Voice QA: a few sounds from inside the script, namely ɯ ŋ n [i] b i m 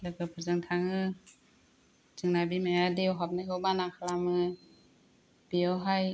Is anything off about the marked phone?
yes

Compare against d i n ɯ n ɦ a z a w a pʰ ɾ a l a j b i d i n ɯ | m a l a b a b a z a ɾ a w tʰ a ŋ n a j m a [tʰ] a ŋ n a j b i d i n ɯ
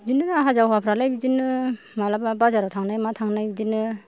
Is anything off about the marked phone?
no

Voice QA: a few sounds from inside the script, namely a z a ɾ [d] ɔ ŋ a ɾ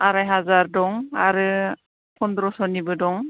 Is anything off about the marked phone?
no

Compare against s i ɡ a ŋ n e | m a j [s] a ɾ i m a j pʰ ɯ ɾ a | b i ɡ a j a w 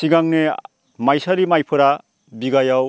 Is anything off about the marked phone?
no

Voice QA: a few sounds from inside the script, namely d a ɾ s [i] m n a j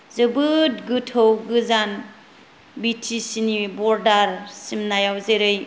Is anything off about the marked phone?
no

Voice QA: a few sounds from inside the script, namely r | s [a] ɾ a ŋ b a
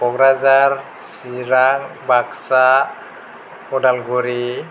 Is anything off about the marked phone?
yes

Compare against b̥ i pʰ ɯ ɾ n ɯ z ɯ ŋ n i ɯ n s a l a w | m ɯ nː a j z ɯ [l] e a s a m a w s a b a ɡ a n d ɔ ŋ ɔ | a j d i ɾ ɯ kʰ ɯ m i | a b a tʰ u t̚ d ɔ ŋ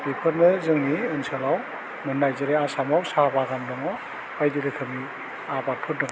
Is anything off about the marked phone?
yes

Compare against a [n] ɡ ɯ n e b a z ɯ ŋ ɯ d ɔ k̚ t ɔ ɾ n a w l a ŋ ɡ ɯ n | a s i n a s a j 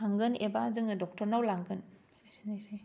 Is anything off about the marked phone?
yes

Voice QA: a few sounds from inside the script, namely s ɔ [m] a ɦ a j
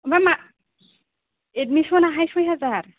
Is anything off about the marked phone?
yes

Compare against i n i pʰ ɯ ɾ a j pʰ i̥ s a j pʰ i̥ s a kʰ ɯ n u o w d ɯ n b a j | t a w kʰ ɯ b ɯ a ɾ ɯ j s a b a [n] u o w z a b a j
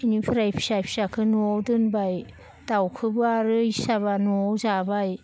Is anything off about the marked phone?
no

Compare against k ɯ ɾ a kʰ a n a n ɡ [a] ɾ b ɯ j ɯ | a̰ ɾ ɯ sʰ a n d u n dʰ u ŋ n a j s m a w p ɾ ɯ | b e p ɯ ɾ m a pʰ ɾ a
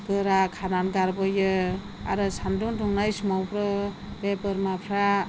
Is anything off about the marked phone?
no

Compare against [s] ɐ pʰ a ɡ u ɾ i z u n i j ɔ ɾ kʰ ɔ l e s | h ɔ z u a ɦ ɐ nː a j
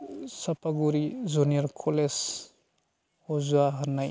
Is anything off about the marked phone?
no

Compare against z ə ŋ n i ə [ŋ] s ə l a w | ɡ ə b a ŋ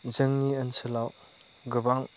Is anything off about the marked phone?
yes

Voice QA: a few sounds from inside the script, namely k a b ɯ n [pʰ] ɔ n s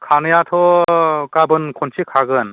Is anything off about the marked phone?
yes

